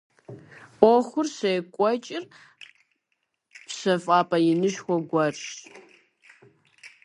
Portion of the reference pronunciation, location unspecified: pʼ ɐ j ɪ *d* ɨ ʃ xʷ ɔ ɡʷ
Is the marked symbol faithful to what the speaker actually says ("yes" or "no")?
no